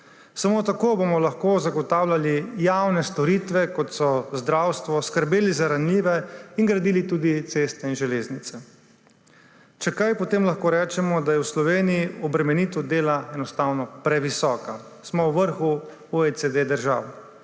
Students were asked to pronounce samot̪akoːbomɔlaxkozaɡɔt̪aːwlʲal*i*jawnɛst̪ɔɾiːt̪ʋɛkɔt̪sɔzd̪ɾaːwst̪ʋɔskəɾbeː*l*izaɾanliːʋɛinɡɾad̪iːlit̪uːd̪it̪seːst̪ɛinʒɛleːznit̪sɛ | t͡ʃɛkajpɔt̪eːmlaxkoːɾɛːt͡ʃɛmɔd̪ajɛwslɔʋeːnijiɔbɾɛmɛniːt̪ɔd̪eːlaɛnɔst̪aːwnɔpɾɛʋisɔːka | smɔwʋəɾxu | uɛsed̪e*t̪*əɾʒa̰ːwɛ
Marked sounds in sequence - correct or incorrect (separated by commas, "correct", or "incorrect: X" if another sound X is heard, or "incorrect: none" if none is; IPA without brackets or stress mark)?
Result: correct, correct, incorrect: d̪